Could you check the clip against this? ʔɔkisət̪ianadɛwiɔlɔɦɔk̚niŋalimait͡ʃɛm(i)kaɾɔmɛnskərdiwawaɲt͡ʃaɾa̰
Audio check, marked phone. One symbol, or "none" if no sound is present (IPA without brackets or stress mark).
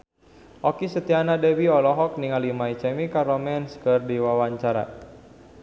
i